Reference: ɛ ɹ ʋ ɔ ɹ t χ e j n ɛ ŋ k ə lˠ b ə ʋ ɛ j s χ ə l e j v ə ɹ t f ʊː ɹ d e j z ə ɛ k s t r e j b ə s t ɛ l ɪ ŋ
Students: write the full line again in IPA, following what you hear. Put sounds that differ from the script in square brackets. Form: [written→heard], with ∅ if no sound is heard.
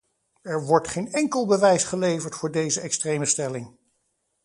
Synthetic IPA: ɛ ɹ ʋ ɔ ɹ t χ e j n ɛ ŋ k ə lˠ b ə ʋ ɛ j s χ ə l e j v ə ɹ t f ʊː ɹ d e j z ə ɛ k s t r e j [b→m] ə s t ɛ l ɪ ŋ